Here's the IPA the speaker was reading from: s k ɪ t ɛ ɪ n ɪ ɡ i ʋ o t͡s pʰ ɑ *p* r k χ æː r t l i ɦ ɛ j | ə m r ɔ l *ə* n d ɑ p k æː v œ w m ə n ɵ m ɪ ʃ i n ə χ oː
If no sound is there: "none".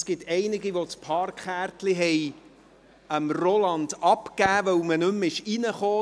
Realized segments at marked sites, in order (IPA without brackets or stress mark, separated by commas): none, ɑ